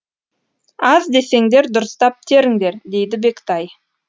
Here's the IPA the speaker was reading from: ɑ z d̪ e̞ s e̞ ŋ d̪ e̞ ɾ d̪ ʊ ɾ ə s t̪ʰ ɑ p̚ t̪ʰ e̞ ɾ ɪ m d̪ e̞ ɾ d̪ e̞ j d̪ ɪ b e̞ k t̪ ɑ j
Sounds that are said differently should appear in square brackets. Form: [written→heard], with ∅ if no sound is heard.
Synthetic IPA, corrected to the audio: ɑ z d̪ e̞ s e̞ ŋ d̪ e̞ ɾ d̪ ʊ ɾ ə s [t̪ʰ→t̪] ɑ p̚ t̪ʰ e̞ ɾ ɪ [m→ŋ] d̪ e̞ ɾ d̪ e̞ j d̪ ɪ b e̞ k t̪ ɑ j

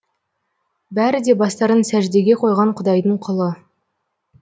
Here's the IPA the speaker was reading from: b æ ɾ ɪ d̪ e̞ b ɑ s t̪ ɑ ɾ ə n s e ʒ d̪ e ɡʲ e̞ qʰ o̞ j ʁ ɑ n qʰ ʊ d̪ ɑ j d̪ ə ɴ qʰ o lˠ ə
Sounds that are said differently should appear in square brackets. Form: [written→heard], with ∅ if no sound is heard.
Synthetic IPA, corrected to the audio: b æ ɾ ɪ d̪ e̞ b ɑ s t̪ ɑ ɾ ə n s [e→æ] ʒ d̪ e ɡʲ e̞ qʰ o̞ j ʁ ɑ [n→ɴ] qʰ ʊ d̪ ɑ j d̪ ə ɴ qʰ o lˠ ə

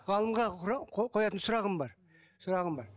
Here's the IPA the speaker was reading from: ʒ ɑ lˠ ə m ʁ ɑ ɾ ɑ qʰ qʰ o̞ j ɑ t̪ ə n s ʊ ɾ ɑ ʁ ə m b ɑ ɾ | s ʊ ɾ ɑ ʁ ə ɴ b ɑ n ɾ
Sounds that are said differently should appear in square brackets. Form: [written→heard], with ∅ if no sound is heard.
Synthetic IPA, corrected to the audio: [ʒ→ʁ] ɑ lˠ ə m ʁ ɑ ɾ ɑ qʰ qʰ o̞ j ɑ t̪ ə n s ʊ ɾ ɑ ʁ ə m b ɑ ɾ | s ʊ ɾ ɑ ʁ ə [ɴ→m] b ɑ [n→∅] ɾ

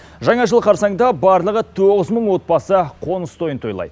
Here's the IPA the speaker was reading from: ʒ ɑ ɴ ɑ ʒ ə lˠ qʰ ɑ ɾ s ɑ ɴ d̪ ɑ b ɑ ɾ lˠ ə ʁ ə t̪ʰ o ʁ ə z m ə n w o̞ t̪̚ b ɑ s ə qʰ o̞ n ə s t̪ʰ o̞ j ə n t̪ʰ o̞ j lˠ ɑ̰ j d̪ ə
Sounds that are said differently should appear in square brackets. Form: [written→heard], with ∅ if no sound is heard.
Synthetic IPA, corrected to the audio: ʒ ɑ ɴ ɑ ʒ ə lˠ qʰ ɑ ɾ s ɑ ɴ d̪ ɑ b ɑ ɾ lˠ ə ʁ ə t̪ʰ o ʁ ə z m ə [n→ɴ] w o̞ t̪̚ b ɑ s ə qʰ o̞ n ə s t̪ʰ o̞ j ə n t̪ʰ o̞ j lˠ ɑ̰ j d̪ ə

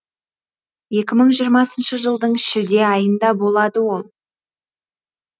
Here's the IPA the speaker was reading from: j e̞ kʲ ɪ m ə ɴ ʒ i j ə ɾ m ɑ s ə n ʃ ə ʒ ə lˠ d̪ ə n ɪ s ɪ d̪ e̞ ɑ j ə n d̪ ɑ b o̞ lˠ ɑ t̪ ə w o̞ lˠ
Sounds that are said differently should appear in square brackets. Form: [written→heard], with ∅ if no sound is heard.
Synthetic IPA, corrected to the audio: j e̞ kʲ ɪ m ə ɴ ʒ i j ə ɾ m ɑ s ə n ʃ ə ʒ ə lˠ d̪ ə [n→ɴ] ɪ [s→ʃ] ɪ d̪ e̞ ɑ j ə n d̪ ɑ b o̞ lˠ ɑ [t̪→d̪] ə w o̞ lˠ

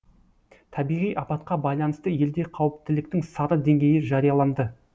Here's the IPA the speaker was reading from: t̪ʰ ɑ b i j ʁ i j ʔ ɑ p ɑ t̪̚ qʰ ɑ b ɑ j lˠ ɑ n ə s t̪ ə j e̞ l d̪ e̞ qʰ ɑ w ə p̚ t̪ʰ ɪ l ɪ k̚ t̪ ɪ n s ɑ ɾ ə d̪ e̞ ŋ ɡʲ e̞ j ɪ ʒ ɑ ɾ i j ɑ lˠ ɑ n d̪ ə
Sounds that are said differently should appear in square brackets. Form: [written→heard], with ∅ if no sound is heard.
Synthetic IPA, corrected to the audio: t̪ʰ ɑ b i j ʁ i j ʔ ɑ p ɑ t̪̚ [qʰ→q] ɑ b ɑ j lˠ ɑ n ə s t̪ ə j e̞ l d̪ e̞ qʰ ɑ w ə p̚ [t̪ʰ→t̪] ɪ l ɪ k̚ t̪ ɪ [n→ŋ] s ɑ ɾ ə d̪ e̞ ŋ ɡʲ e̞ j ɪ ʒ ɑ ɾ i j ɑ lˠ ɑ n d̪ ə

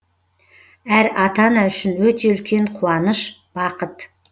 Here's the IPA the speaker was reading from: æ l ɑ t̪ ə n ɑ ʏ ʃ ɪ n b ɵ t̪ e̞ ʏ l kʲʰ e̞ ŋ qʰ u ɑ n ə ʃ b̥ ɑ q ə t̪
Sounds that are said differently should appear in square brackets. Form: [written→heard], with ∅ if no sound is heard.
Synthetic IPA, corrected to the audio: æ [l→ɾ] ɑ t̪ [ə→ɑ] n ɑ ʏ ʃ ɪ n [b→w] ɵ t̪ e̞ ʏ l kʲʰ e̞ [ŋ→ɴ] qʰ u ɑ n ə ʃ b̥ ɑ q ə t̪

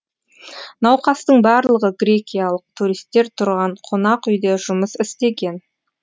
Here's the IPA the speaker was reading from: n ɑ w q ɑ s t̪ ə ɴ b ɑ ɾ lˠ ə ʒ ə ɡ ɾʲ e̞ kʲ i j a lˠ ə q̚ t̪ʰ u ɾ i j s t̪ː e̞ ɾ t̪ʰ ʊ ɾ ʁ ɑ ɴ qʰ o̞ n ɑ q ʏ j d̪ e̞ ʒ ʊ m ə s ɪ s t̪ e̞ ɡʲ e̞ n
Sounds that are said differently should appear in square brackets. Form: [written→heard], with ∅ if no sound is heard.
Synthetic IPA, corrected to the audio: n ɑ w q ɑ s t̪ ə ɴ b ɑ ɾ lˠ ə [ʒ→ʁ] ə ɡ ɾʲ e̞ kʲ i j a lˠ ə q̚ t̪ʰ u ɾ i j s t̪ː e̞ ɾ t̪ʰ ʊ ɾ ʁ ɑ ɴ qʰ o̞ n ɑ q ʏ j d̪ e̞ ʒ ʊ m ə s ɪ s t̪ e̞ ɡʲ e̞ n

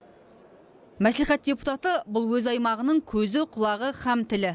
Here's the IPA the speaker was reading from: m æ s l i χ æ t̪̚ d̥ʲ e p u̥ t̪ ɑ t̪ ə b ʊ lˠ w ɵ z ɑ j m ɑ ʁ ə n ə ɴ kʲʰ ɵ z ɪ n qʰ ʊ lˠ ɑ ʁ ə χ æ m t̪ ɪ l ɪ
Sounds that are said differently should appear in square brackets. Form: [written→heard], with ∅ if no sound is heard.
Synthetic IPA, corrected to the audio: m æ s l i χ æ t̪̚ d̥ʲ e p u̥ t̪ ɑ t̪ ə b ʊ lˠ w ɵ z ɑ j m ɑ ʁ ə n ə ɴ kʲʰ ɵ z ɪ [n→∅] qʰ ʊ lˠ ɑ ʁ ə χ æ m t̪ ɪ l ɪ

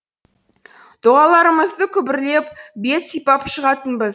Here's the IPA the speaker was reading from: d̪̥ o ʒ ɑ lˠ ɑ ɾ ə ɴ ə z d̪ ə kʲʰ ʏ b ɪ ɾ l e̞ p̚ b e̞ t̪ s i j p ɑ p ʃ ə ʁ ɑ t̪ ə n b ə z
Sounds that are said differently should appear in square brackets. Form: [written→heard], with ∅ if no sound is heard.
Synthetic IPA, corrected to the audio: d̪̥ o [ʒ→ʁ] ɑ lˠ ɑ ɾ ə [ɴ→m] ə z d̪ ə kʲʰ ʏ b ɪ ɾ l e̞ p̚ b e̞ t̪ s i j p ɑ p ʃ ə ʁ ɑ t̪ ə n b ə z

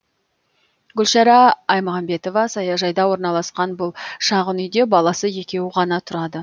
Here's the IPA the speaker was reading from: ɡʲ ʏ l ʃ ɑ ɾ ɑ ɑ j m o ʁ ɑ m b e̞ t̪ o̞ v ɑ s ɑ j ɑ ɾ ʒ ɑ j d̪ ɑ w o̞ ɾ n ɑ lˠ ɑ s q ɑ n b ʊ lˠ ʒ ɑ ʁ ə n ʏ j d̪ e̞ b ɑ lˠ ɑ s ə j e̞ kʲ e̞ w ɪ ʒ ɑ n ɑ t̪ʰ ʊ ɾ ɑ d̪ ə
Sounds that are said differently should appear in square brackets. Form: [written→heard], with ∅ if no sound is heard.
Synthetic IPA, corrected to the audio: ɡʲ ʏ l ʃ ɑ ɾ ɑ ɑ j m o ʁ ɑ m b e̞ t̪ o̞ v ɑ s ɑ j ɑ [ɾ→∅] ʒ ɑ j d̪ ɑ w o̞ ɾ n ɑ lˠ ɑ s q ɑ n b ʊ lˠ [ʒ→ʃ] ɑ ʁ ə n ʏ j d̪ e̞ b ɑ lˠ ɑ s ə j e̞ kʲ e̞ w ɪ [ʒ→ʁ] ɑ n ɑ t̪ʰ ʊ ɾ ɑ d̪ ə

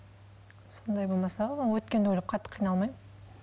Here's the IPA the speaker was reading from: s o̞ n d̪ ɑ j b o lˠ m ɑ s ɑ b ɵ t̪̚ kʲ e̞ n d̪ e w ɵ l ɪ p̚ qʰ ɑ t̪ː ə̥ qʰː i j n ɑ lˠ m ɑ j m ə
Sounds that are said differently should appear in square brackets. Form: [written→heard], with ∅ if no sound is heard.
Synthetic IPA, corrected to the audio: s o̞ n d̪ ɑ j b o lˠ m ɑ s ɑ [b→w] ɵ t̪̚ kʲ e̞ n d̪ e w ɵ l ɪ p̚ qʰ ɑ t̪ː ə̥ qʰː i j n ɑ lˠ m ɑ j m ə

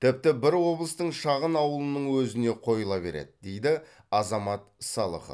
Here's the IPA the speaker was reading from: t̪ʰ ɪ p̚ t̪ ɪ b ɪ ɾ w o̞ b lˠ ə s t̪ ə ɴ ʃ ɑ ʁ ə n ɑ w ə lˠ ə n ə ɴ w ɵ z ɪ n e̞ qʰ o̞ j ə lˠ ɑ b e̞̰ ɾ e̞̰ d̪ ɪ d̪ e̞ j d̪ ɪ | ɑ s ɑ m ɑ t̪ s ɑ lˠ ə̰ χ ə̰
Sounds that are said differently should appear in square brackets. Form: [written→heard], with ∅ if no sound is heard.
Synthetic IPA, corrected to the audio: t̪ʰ ɪ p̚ t̪ ɪ b ɪ ɾ w o̞ b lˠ ə s t̪ ə ɴ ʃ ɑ ʁ ə n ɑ w ə lˠ ə n ə ɴ w ɵ z ɪ n e̞ qʰ o̞ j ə lˠ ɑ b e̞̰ ɾ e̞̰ d̪ ɪ d̪ e̞ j d̪ ɪ | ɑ [s→z] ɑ m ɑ t̪ s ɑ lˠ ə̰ χ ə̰

